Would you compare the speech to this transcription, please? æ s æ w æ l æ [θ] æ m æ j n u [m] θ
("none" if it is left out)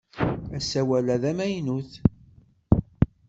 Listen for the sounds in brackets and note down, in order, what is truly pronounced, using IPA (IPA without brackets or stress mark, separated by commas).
ð, none